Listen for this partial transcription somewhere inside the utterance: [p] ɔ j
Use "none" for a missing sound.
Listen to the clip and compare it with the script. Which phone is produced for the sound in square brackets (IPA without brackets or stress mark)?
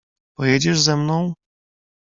p